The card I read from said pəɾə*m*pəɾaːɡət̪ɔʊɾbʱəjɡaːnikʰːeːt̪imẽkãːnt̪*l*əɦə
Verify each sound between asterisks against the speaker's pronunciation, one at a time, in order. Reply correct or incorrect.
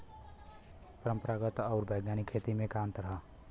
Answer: correct, incorrect

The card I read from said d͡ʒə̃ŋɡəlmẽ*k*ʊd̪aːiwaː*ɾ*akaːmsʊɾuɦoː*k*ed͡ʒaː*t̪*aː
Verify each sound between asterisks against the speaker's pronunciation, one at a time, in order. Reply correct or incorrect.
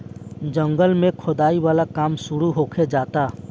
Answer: incorrect, incorrect, incorrect, correct

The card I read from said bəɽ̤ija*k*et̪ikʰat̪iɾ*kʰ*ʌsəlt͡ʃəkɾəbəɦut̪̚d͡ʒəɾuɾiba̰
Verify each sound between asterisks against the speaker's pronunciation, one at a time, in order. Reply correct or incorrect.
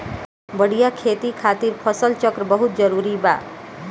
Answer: incorrect, incorrect

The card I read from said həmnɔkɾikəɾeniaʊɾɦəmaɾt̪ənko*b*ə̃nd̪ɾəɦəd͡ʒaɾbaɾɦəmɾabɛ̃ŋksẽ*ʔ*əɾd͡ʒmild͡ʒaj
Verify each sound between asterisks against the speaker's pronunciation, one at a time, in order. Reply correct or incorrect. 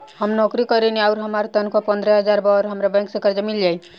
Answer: incorrect, incorrect

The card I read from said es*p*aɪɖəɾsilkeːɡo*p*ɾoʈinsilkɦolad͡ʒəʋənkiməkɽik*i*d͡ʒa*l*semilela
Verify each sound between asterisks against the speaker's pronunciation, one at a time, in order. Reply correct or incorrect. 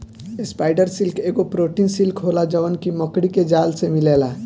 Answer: correct, correct, incorrect, correct

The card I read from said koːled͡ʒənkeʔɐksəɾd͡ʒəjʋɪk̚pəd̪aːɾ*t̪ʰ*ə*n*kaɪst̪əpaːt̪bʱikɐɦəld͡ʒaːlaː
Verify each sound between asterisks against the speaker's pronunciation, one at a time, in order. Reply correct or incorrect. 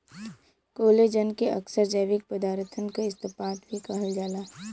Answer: correct, correct

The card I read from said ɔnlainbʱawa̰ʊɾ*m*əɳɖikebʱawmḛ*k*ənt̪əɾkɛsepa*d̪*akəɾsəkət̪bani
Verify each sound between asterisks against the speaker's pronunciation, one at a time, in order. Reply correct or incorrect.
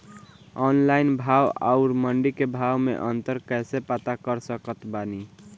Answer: correct, incorrect, incorrect

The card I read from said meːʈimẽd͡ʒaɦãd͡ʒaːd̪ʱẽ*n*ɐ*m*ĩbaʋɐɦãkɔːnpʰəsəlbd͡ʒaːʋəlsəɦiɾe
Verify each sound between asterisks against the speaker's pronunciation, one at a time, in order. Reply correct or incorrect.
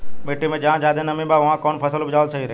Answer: correct, correct

